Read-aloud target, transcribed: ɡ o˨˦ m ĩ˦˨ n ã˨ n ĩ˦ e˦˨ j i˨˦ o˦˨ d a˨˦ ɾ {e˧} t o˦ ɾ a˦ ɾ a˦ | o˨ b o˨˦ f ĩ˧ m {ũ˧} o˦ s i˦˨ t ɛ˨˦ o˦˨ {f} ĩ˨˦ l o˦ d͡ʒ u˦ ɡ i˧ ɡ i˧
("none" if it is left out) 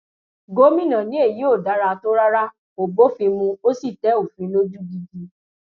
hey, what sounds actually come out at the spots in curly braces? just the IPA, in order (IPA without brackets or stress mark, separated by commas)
a˧, ũ˧, f